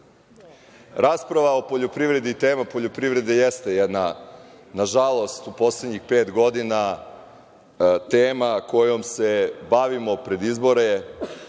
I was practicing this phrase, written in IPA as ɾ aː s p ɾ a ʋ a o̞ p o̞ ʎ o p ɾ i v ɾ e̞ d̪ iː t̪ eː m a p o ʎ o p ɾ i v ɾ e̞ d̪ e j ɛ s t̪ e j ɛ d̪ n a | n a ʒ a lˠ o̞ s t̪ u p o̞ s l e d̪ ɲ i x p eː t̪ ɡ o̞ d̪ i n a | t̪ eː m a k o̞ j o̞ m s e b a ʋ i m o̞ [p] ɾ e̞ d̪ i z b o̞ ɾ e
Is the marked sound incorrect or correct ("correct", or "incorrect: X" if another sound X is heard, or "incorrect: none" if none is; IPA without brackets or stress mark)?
correct